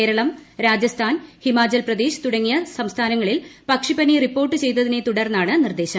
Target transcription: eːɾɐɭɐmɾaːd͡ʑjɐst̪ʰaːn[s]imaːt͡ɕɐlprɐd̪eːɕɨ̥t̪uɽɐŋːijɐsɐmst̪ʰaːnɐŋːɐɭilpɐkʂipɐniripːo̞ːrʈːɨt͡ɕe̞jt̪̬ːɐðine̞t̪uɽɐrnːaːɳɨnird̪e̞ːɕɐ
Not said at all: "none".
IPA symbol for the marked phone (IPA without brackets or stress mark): h